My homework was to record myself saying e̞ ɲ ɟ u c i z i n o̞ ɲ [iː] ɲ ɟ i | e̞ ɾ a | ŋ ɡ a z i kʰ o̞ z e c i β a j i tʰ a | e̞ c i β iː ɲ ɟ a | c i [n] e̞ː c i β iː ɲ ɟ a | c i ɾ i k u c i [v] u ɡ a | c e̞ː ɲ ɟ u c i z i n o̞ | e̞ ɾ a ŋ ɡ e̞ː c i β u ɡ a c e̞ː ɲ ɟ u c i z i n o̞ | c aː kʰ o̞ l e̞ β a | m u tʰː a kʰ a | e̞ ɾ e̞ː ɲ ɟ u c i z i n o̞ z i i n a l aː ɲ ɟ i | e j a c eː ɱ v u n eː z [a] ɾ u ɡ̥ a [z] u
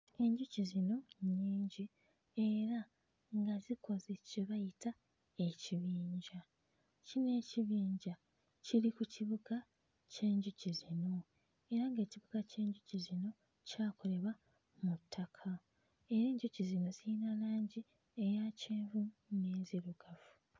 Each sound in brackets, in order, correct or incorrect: correct, correct, incorrect: β, incorrect: i, incorrect: v

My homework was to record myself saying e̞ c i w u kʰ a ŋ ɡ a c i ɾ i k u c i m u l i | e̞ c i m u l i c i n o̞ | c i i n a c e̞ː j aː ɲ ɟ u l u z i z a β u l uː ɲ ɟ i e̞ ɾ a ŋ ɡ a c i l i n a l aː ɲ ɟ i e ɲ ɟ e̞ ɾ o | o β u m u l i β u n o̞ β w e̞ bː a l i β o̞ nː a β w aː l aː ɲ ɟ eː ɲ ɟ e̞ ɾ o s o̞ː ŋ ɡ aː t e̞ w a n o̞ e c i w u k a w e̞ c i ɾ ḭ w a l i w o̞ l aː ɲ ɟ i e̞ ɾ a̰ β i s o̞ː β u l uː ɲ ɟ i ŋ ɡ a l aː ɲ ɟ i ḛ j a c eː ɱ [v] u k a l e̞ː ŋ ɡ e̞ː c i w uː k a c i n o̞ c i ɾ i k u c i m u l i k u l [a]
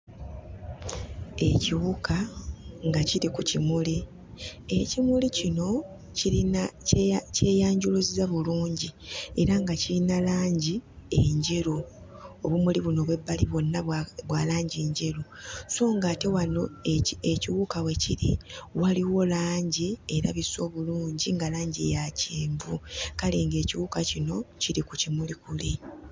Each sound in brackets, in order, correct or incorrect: correct, incorrect: i

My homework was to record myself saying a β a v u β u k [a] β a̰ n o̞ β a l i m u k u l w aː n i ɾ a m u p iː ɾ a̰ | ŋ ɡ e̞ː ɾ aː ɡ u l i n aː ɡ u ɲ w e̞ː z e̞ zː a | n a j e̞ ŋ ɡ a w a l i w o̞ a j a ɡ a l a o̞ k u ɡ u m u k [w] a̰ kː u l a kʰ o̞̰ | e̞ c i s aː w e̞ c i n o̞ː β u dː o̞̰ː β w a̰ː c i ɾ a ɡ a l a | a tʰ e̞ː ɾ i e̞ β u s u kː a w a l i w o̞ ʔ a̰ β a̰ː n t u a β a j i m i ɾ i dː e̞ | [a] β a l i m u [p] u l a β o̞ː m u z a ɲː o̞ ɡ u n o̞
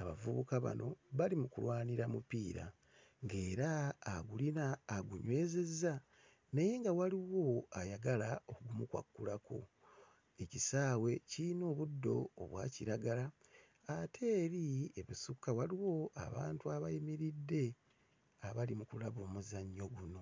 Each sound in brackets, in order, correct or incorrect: correct, correct, correct, incorrect: k

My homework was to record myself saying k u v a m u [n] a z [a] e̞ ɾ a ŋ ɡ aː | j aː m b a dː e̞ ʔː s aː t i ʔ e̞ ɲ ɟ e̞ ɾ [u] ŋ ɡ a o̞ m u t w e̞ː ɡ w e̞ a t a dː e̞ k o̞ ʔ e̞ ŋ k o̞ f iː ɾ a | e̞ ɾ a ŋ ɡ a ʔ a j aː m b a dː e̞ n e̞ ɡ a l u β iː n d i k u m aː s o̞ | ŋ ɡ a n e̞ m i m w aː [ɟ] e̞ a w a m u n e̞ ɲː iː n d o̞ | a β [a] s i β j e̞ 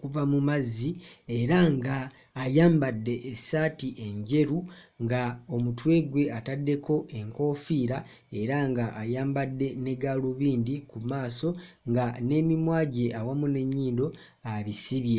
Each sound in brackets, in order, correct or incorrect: incorrect: m, incorrect: i, correct, correct, incorrect: i

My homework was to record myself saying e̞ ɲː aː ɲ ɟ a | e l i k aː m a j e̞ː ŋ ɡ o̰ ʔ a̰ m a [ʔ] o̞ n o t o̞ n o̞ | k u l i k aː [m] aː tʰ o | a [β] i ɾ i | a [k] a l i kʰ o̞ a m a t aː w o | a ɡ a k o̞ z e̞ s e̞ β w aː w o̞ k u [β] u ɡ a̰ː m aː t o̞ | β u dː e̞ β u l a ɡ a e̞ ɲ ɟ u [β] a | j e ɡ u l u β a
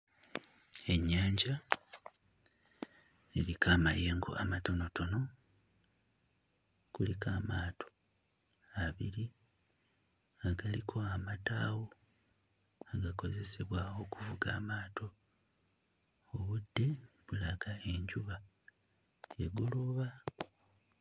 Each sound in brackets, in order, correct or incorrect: incorrect: t, correct, correct, incorrect: ɡ, incorrect: v, correct

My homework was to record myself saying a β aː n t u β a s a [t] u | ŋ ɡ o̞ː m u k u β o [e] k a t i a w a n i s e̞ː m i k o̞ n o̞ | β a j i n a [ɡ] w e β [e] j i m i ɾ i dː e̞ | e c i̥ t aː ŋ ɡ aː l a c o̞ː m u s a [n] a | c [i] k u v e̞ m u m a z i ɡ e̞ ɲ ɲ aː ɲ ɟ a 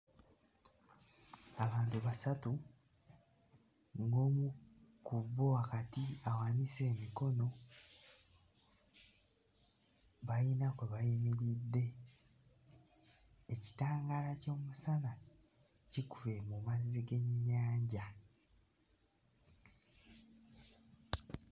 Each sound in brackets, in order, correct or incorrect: correct, incorrect: a, incorrect: k, incorrect: a, correct, correct

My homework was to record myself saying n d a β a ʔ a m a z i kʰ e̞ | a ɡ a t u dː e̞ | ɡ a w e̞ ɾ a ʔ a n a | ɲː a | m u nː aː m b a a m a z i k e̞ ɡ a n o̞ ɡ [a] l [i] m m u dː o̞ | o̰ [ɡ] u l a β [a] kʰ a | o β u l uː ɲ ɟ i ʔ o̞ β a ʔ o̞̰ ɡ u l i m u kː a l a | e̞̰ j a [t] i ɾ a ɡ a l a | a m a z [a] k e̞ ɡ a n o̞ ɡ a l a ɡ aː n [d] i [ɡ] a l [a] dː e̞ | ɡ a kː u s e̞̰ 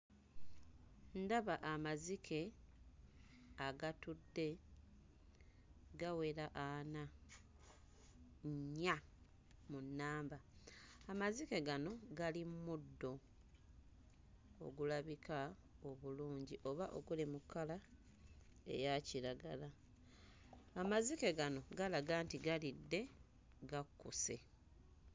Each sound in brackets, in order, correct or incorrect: correct, correct, correct, incorrect: i, incorrect: c, incorrect: i, incorrect: t, correct, incorrect: i

